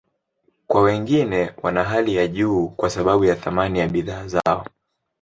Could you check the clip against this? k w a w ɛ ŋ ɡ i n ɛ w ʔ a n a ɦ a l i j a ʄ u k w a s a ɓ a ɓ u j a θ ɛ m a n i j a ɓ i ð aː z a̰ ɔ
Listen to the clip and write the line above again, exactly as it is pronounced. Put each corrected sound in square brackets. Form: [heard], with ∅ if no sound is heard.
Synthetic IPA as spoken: k w a w ɛ ŋ ɡ i n ɛ w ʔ a n a ɦ a l i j a ʄ [uː] k w a s a ɓ a ɓ u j a θ [a] m a n i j a ɓ i ð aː z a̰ ɔ